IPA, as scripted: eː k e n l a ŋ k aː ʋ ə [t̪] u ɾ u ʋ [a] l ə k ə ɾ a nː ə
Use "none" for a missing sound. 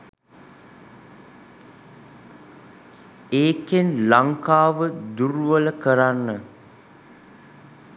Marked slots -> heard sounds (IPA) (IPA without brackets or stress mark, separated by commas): d̪, ə